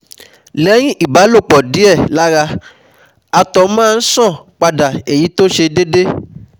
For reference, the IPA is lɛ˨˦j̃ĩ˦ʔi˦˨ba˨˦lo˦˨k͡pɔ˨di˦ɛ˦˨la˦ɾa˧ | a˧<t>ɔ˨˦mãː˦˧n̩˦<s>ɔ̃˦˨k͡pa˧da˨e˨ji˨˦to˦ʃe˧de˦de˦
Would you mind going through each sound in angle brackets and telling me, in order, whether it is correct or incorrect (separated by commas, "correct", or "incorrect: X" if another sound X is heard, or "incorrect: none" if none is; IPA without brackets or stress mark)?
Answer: correct, correct